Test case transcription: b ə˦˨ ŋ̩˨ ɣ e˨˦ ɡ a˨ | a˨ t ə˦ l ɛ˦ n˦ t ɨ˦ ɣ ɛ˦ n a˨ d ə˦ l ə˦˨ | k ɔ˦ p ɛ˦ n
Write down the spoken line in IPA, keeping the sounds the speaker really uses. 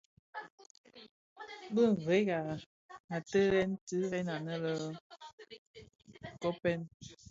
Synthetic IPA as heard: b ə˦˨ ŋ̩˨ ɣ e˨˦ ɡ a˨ | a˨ t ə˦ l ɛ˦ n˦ t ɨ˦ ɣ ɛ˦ n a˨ n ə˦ l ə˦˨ | k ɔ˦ p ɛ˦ n